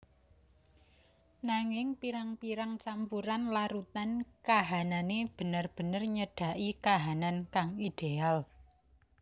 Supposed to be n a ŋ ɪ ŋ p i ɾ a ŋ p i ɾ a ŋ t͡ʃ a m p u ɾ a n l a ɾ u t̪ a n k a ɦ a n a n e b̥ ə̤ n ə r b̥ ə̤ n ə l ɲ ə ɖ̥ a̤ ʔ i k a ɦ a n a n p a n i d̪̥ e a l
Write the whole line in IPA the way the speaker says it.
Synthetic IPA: n a ŋ ɪ ŋ p i ɾ a ŋ p i ɾ a ŋ t͡ʃ a m p u ɾ a n l a ɾ u t̪ a n k a ɦ a n a n e b̥ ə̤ n ə r b̥ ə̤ n ə r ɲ ə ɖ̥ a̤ ʔ i k a ɦ a n a n k a ŋ i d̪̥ e a l